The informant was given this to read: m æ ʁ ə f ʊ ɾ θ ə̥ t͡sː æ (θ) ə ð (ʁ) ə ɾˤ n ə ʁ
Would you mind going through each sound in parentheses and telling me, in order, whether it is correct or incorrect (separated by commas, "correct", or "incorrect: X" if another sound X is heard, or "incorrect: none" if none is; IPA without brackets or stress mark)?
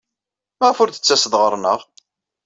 incorrect: s, correct